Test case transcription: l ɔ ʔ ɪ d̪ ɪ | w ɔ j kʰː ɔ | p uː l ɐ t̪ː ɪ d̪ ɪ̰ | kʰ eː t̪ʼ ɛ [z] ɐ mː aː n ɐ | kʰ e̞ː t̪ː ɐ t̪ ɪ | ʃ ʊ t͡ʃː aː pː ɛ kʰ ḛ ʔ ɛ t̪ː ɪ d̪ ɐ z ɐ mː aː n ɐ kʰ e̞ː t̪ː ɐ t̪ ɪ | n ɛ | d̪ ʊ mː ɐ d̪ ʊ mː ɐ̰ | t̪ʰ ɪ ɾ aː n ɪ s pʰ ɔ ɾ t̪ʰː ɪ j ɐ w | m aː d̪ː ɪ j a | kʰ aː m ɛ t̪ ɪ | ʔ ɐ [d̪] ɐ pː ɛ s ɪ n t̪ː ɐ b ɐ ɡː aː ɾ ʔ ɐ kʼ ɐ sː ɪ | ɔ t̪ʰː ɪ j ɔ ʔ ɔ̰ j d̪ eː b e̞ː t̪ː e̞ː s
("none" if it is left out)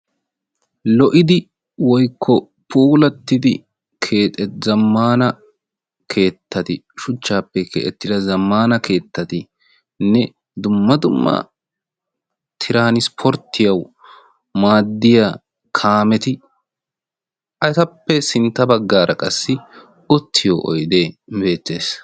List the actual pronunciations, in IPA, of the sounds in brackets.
z, t̪

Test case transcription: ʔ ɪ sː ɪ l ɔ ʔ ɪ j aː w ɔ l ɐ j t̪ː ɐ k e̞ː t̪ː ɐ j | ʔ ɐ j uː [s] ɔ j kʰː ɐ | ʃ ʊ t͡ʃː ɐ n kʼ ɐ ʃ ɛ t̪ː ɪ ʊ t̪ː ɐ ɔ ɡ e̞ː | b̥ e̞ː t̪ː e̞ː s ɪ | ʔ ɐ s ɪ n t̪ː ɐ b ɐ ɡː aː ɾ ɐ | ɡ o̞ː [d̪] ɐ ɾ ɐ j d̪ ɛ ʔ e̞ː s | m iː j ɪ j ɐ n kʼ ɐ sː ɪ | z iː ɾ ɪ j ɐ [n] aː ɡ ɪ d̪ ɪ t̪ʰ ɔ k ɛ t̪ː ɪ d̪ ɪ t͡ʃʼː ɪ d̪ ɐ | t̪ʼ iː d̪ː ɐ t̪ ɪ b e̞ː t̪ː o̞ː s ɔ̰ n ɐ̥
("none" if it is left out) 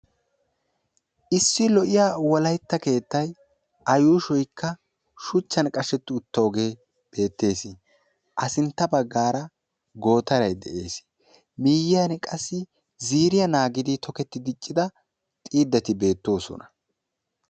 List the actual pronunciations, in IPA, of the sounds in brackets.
ʃ, t̪, n

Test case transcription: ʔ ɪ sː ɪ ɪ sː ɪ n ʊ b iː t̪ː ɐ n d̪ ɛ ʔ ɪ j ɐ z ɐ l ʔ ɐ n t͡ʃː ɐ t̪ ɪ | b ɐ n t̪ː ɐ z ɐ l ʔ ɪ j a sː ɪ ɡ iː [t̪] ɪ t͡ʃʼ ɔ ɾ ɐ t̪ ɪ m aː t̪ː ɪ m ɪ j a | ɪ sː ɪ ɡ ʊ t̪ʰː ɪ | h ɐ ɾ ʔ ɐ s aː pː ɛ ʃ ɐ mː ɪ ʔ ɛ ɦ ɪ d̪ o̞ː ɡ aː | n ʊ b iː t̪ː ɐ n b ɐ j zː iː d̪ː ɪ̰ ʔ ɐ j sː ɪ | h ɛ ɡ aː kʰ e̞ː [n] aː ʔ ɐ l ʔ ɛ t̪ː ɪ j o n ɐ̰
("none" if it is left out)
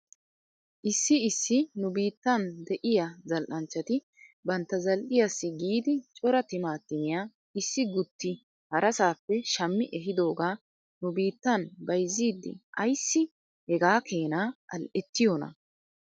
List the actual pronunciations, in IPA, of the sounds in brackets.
d̪, n

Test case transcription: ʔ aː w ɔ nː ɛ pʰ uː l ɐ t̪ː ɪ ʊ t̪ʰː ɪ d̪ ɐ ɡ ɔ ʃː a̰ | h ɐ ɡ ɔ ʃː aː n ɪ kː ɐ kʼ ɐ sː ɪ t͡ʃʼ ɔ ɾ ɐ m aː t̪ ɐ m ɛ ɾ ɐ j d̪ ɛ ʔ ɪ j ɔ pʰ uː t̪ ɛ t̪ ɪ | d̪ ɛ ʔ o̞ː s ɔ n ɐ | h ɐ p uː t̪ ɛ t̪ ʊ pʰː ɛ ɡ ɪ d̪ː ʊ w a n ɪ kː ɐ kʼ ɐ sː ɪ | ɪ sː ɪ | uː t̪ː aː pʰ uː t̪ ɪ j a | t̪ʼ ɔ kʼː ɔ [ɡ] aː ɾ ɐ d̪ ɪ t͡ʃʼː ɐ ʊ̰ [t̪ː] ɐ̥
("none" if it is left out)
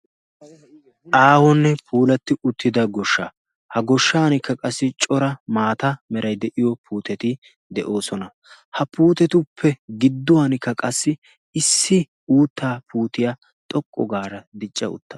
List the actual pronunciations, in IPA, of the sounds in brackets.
ɡ, t̪ː

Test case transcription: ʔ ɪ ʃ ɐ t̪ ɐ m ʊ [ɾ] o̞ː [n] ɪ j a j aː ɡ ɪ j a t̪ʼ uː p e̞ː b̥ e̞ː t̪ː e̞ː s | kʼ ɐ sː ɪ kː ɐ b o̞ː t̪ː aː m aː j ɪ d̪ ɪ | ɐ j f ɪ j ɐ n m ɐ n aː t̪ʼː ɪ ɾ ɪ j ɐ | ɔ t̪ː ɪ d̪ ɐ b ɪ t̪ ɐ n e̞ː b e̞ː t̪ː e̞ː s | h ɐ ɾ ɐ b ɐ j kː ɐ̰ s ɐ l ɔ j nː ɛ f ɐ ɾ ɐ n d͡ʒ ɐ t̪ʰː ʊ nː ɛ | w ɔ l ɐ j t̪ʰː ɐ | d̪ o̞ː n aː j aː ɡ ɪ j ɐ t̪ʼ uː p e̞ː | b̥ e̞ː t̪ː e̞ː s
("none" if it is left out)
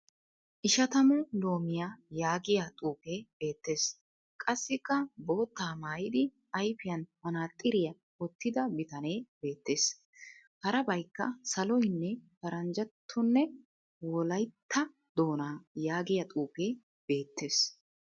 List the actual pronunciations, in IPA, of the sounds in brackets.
l, m

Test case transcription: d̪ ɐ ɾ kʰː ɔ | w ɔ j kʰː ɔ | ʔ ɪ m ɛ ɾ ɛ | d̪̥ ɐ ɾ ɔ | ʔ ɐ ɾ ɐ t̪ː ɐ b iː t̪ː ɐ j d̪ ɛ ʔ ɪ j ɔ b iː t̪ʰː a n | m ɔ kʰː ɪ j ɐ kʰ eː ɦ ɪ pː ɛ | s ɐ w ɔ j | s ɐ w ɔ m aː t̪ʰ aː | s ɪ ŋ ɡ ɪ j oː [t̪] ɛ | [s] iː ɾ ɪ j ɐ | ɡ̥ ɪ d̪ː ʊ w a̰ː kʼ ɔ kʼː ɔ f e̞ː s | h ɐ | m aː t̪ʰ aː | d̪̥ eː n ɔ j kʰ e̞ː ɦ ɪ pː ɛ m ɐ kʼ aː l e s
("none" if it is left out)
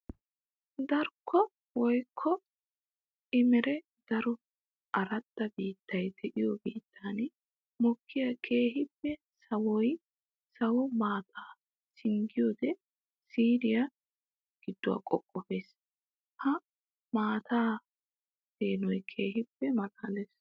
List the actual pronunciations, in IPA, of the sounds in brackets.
d̪, s

